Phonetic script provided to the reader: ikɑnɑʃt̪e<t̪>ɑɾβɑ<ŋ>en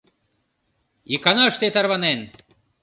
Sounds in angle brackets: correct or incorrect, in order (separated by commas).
correct, incorrect